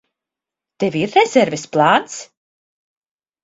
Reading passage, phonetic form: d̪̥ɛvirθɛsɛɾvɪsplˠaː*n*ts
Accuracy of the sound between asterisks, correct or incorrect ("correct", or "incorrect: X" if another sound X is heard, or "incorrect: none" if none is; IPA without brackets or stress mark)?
correct